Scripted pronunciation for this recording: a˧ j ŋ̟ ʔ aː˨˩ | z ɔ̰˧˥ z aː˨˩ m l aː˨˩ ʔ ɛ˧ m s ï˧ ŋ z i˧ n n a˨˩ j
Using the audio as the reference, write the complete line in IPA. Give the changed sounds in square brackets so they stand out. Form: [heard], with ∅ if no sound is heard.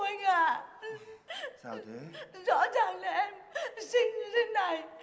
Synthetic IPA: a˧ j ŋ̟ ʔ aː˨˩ | z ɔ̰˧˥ z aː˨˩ [ŋ] l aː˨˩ ʔ ɛ˧ m s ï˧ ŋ z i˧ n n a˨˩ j